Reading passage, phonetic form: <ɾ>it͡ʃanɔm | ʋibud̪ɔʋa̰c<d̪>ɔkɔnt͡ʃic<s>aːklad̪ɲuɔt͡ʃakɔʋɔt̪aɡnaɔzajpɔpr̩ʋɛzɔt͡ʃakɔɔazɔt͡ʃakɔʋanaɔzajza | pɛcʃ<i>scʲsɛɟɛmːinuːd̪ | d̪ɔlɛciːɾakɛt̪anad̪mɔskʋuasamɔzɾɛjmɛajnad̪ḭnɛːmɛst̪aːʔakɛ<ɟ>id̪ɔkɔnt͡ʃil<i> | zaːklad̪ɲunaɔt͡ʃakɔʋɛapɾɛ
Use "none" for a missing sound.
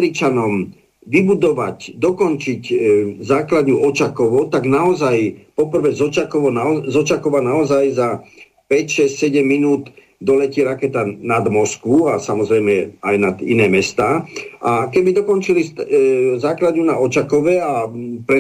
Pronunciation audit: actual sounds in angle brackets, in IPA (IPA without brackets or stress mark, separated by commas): ɾ, d̪, z, ɛ, b, i